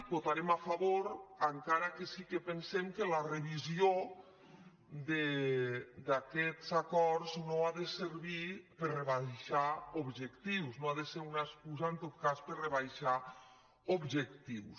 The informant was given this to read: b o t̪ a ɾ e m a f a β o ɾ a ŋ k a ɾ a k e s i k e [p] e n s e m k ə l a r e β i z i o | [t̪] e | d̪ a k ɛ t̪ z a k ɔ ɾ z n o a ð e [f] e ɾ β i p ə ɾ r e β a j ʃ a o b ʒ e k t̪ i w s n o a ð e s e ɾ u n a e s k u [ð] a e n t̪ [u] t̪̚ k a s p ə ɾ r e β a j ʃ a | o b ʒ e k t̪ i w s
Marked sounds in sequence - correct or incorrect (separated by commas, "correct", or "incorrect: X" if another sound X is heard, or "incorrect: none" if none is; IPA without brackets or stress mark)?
correct, incorrect: d̪, incorrect: s, incorrect: z, incorrect: o